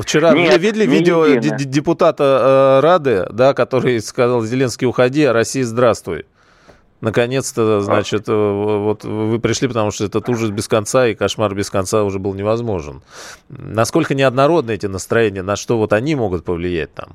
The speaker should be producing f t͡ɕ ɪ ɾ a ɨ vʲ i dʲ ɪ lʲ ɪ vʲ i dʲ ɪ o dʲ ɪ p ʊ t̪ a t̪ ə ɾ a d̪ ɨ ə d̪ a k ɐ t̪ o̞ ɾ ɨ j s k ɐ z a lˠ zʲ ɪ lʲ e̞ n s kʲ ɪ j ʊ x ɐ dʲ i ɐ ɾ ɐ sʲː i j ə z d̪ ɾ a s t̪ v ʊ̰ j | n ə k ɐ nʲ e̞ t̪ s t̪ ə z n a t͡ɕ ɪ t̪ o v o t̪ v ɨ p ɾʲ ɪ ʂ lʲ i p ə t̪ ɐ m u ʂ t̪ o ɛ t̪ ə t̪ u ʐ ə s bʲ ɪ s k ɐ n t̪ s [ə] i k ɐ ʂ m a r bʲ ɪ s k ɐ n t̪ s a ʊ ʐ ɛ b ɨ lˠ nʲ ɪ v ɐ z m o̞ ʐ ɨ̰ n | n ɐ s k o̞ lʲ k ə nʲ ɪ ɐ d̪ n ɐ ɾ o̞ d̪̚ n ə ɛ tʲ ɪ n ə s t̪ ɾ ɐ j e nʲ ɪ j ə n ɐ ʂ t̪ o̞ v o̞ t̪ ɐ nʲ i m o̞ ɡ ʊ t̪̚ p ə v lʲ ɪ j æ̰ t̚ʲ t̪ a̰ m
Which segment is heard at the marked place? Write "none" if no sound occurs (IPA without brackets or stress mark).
a